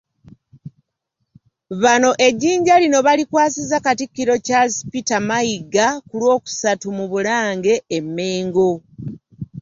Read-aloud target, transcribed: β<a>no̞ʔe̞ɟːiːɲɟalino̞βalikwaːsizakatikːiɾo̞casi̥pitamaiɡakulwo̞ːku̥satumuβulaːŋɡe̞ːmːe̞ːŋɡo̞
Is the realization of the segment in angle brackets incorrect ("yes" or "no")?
no